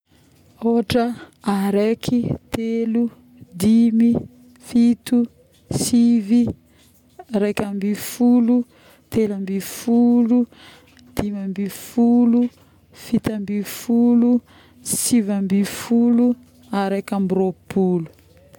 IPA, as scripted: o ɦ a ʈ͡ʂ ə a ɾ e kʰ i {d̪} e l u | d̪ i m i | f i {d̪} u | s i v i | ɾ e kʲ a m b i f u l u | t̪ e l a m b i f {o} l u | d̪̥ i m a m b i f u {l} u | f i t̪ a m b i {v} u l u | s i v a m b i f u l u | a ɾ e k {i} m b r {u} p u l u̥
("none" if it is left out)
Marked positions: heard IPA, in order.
t̪, t̪, u, l, f, a, o

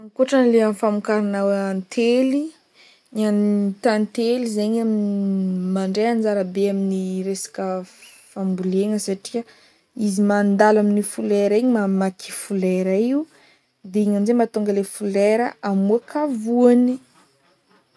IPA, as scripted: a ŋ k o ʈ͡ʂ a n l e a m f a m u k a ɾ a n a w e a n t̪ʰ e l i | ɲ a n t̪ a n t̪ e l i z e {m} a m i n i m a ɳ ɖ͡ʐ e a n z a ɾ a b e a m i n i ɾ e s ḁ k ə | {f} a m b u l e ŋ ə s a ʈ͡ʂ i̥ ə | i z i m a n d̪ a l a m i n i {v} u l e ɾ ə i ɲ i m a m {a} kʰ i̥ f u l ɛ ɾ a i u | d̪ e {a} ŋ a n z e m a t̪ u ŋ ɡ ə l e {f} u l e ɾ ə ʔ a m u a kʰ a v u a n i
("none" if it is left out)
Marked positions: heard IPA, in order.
ɲ, f, f, a, i, f

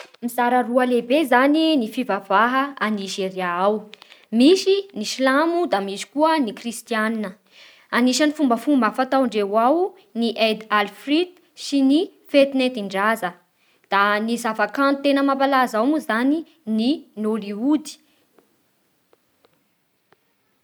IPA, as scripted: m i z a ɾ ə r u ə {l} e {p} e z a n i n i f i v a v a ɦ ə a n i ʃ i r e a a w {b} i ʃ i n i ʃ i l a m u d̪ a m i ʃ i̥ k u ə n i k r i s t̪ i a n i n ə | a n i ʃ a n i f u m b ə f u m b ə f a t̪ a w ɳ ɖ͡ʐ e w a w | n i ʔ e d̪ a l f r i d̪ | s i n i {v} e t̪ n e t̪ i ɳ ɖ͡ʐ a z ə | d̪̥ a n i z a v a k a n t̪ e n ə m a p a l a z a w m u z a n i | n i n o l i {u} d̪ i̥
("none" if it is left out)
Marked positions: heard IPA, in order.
l, b, m, f, u

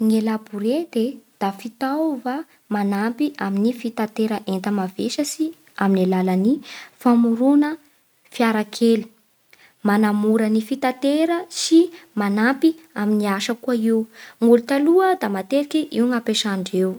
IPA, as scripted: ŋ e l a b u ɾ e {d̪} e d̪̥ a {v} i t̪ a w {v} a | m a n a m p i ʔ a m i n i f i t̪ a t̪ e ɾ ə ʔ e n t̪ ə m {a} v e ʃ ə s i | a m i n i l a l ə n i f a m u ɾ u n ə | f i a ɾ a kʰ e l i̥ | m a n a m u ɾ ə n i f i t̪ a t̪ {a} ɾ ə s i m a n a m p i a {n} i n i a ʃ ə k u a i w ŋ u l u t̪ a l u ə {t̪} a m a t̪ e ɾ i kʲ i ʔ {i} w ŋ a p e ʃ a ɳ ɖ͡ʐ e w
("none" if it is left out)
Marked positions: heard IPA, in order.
d̪, f, v, a, e, m, d̪, i

